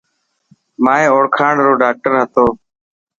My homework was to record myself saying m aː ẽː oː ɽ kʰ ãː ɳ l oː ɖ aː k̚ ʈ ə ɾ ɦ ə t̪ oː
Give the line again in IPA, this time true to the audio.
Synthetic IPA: m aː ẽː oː ɽ kʰ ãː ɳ ɾ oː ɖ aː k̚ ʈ ə ɾ ɦ ə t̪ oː